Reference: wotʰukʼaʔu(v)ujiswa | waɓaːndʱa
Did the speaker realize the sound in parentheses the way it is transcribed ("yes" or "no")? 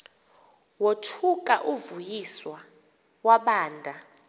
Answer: yes